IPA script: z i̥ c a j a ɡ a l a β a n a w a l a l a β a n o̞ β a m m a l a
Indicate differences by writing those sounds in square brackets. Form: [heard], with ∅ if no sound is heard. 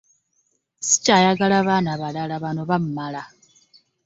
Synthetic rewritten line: [s] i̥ c a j a ɡ a l a β a n a [β] a l a l a β a n o̞ β a m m a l a